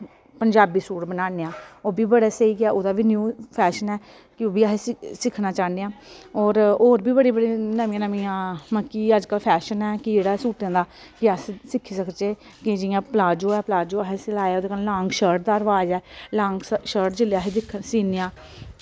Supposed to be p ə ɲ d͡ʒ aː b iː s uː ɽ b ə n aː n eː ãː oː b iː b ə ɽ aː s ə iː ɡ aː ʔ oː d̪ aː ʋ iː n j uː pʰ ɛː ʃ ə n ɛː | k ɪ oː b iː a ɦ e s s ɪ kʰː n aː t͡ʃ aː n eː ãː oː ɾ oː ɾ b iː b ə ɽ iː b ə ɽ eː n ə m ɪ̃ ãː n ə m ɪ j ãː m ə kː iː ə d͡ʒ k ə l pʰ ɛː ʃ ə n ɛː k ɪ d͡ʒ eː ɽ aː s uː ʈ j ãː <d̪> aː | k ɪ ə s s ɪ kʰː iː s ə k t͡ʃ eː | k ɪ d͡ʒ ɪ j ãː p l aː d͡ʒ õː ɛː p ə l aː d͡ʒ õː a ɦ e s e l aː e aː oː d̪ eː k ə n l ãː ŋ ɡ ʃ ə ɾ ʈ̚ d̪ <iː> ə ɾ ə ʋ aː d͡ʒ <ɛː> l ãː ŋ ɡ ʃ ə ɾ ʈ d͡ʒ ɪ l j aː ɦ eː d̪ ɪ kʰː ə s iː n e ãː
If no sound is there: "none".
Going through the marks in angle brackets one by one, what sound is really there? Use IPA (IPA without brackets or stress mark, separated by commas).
d̪, aː, ɛː